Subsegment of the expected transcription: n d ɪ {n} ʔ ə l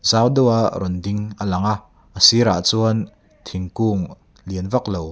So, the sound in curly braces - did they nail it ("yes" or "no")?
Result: no